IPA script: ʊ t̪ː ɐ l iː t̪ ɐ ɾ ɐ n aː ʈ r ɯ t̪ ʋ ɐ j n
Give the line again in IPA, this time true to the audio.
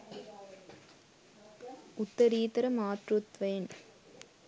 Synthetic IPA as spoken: ʊ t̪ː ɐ ɾ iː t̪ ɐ ɾ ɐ m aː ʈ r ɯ t̪ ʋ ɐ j n